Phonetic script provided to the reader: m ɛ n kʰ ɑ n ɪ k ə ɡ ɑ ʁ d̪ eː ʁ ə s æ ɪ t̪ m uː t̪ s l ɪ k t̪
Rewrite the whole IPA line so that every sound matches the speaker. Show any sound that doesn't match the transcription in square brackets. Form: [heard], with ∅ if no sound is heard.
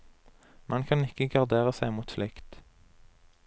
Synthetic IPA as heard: m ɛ n kʰ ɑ n ɪ k ə ɡ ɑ ʁ d̪ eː ʁ ə s æ ɪ [∅] m uː t̪ [f] l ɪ k t̪